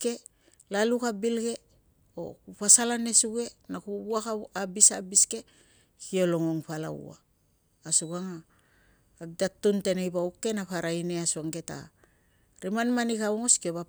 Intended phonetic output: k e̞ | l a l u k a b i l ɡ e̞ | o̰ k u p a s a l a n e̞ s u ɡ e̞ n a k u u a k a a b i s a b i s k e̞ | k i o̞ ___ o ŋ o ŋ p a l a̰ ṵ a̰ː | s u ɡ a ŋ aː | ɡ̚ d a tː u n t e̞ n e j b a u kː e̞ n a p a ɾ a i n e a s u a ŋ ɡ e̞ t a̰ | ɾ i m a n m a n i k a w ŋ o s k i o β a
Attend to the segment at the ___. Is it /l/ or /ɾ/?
l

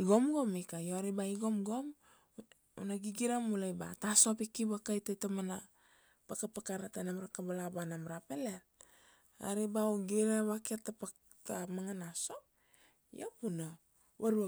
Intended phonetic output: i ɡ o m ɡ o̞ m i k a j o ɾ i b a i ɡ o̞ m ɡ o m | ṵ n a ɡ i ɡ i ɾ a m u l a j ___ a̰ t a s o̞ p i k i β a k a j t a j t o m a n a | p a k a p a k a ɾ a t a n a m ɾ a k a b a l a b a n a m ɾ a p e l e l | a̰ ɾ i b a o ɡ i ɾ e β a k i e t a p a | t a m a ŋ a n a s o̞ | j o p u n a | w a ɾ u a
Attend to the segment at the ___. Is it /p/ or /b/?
b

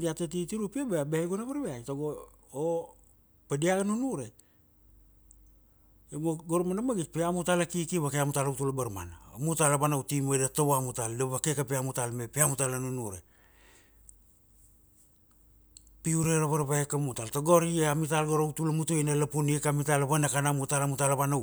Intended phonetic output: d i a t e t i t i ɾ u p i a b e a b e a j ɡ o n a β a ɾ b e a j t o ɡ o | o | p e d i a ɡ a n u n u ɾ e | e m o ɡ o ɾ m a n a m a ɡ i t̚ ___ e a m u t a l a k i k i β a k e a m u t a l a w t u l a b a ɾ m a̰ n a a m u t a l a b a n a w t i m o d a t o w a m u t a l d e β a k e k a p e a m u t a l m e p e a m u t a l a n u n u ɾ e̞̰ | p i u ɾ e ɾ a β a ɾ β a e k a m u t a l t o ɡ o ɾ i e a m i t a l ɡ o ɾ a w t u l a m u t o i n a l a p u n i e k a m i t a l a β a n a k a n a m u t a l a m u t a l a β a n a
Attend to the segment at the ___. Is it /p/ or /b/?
p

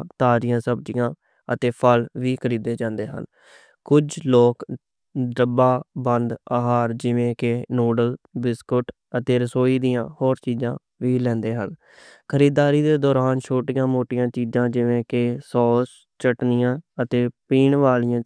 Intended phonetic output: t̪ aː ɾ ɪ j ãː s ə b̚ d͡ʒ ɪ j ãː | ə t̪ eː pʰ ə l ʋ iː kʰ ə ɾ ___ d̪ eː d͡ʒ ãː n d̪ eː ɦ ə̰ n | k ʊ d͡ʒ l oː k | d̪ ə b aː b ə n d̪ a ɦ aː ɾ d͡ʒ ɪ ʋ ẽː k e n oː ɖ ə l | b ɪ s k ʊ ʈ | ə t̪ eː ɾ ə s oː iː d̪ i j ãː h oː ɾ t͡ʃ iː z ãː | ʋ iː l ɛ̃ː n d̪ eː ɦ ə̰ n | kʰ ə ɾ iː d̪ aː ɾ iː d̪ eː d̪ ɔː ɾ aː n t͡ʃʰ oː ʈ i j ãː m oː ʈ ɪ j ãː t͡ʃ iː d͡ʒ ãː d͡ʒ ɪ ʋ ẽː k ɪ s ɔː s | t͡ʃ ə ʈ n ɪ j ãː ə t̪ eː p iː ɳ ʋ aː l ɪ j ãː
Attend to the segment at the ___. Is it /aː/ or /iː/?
iː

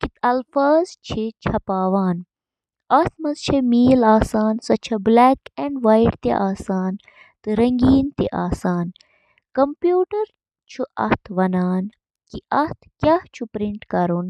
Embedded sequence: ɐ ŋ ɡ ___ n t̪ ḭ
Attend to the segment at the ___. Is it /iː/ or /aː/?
iː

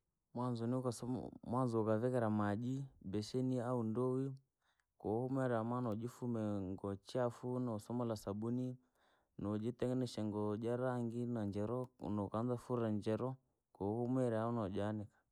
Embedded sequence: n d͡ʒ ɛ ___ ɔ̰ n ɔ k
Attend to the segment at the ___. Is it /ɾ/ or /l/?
ɾ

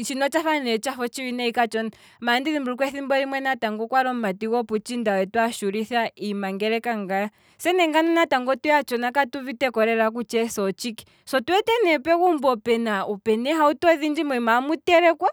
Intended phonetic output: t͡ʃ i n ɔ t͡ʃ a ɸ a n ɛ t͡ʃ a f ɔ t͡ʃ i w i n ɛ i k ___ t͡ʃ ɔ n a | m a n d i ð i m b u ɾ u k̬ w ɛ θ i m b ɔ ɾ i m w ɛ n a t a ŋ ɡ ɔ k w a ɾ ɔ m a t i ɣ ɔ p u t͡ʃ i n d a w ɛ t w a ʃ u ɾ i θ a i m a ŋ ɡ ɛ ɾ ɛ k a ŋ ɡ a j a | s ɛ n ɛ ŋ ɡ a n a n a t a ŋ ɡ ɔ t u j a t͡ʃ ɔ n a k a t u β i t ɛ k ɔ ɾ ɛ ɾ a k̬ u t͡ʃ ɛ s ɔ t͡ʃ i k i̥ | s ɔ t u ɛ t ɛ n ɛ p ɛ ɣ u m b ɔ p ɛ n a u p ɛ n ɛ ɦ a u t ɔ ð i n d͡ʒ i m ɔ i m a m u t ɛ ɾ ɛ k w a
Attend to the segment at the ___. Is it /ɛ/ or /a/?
a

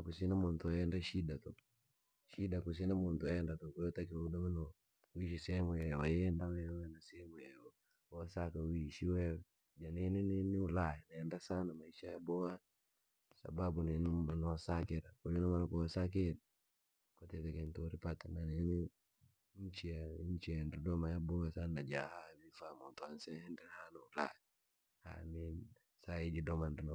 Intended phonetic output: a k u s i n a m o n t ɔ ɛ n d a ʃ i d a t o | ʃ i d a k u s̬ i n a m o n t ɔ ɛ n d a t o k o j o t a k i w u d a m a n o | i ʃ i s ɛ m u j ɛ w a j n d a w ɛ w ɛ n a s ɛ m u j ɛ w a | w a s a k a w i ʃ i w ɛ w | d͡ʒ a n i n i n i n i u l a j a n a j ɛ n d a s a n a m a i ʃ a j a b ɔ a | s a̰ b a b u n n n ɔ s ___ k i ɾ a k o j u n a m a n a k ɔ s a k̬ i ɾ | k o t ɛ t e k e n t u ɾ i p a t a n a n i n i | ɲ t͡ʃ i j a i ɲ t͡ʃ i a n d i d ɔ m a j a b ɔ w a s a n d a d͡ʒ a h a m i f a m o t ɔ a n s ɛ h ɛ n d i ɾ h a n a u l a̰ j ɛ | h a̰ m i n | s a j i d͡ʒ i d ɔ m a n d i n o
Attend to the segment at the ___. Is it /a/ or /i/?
a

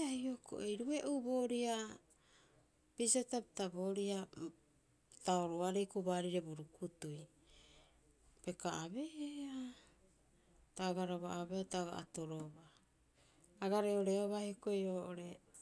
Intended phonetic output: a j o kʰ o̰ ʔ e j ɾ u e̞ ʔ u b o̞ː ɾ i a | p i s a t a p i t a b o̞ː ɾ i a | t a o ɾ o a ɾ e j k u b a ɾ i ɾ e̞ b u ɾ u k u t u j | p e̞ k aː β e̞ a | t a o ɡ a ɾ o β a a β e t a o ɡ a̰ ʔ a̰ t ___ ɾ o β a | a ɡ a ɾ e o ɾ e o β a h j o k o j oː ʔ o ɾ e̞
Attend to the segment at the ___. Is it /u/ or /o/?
o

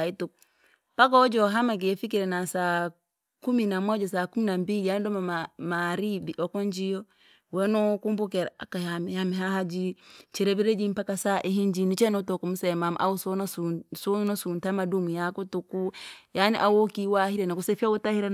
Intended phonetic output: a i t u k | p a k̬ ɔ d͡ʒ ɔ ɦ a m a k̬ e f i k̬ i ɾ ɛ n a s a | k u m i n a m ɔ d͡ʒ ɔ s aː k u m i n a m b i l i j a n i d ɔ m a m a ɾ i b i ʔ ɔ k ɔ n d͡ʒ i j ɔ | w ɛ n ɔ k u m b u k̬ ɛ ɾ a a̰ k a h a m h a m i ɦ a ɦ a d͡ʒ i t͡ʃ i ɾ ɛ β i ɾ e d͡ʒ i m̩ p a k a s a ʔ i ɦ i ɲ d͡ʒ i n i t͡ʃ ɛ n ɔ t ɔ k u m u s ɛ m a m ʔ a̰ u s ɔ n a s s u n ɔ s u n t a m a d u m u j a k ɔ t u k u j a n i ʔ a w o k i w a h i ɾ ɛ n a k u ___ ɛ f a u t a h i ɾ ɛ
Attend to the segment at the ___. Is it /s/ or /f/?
s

